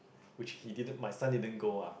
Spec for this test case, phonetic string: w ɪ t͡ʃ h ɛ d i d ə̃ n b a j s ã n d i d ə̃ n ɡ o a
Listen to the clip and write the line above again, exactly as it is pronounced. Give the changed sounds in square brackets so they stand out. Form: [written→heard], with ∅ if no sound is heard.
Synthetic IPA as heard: w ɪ t͡ʃ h [ɛ→i] d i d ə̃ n [b→m] a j s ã n d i d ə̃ n ɡ o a